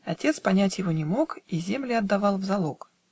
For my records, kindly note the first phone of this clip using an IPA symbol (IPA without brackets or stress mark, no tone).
ɐ